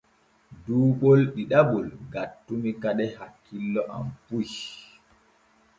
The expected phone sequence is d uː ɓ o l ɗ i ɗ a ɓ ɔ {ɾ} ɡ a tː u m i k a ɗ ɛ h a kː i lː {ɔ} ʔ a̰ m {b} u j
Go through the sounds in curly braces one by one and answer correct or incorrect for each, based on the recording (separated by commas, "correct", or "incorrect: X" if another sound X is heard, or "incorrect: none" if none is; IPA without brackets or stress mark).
incorrect: l, correct, incorrect: p